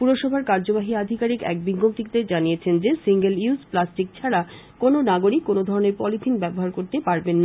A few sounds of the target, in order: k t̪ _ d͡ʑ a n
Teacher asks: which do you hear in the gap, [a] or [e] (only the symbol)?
e